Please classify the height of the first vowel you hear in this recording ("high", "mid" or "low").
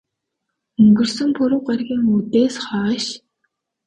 mid